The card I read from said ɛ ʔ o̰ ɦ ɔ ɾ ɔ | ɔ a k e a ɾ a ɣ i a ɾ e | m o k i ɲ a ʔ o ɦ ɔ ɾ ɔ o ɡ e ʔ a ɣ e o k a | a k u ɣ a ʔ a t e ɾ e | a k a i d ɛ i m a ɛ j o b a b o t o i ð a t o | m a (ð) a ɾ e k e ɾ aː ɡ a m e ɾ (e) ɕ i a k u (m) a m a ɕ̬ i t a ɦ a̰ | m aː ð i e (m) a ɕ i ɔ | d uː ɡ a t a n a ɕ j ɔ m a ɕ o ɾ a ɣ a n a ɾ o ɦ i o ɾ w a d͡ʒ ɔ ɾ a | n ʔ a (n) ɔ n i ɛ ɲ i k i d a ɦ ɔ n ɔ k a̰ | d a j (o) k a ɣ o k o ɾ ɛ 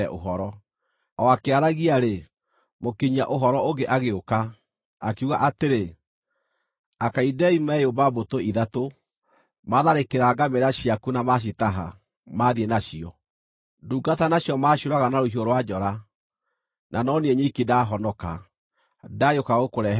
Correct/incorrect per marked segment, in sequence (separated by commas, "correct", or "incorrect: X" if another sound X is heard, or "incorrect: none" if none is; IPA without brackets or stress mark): correct, incorrect: a, incorrect: n, incorrect: n, correct, correct